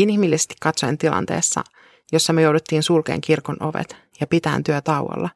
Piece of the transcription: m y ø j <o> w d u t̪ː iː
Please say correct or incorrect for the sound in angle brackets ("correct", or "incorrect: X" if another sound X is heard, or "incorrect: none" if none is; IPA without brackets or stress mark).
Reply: correct